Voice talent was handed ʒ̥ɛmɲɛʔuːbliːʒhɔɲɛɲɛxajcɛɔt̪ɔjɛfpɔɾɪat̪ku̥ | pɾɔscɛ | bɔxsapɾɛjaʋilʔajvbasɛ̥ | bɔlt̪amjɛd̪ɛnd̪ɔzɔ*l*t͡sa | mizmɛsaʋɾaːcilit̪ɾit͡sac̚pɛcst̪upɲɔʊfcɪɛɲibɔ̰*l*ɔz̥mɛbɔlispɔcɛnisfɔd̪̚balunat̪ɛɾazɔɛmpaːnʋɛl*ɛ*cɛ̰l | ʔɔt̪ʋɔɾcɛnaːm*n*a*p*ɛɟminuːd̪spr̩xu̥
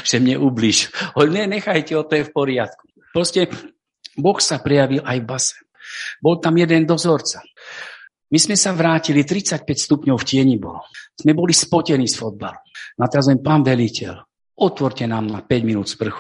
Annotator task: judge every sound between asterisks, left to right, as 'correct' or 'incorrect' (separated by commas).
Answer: incorrect, correct, incorrect, correct, correct